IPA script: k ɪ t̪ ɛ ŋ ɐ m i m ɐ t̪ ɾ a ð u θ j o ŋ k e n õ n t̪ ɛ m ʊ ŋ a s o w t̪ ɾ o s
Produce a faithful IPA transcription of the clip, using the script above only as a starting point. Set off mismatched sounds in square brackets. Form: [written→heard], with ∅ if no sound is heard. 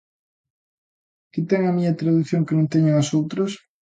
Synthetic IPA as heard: k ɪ t̪ ɛ ŋ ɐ m i [m→ɲ] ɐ t̪ ɾ a ð u θ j o ŋ k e n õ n t̪ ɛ [m→ɲ] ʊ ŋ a s o w t̪ ɾ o s